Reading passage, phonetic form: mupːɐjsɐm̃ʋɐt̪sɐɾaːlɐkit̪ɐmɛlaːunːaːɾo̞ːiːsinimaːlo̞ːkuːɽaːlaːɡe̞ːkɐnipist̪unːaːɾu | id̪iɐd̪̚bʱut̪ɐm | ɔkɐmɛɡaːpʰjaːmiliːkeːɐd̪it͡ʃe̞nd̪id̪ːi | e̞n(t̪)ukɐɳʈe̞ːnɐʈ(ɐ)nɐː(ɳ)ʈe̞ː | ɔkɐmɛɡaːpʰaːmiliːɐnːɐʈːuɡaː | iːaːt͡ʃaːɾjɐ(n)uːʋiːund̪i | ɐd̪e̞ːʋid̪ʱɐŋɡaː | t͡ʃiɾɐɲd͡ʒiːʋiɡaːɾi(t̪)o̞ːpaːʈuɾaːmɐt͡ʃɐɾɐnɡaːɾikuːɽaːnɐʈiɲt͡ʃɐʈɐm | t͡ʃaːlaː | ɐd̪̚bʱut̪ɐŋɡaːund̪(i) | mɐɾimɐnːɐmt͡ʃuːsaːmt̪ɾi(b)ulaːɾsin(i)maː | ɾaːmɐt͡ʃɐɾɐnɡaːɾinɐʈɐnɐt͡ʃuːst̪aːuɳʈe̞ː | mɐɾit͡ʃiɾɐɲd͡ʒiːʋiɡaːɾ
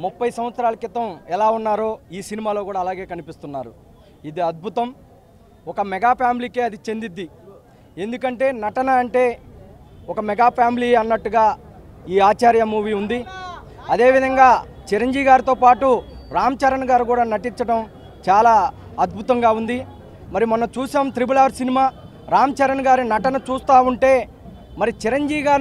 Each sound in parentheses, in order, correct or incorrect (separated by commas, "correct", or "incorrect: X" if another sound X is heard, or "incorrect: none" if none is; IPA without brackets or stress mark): incorrect: d̪, correct, correct, incorrect: m, correct, correct, correct, correct